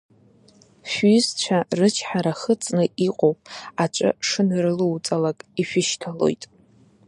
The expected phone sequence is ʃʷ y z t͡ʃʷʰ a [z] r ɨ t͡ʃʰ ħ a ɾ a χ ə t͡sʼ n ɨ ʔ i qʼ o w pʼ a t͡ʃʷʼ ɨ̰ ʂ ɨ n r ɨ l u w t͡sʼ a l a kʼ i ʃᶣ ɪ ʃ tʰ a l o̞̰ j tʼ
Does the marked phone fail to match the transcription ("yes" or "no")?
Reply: yes